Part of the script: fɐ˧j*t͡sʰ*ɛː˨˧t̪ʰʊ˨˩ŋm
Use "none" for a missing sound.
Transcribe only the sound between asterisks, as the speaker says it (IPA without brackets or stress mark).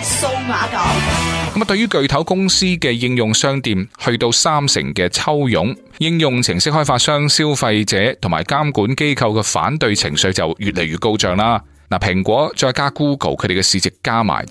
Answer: t͡s